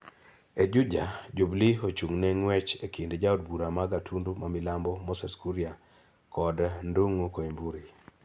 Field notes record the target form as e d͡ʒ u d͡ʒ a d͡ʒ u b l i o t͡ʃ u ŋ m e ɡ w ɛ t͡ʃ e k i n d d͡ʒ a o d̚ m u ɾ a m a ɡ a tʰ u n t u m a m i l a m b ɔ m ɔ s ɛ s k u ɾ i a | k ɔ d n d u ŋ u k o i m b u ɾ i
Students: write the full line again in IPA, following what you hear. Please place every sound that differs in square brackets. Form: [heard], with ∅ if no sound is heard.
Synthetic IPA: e d͡ʒ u d͡ʒ a d͡ʒ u b l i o t͡ʃ u ŋ [n] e [ŋ] w ɛ t͡ʃ e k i n d d͡ʒ a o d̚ [b] u ɾ a m a ɡ a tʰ u n [d] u m a m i l a m b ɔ m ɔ s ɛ s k u ɾ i a | k ɔ d n d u ŋ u k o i m b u ɾ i